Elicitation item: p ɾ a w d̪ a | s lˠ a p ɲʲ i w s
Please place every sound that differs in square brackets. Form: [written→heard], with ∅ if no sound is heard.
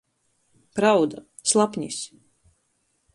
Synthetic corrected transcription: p ɾ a w d̪ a | s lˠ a p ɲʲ i [w→∅] s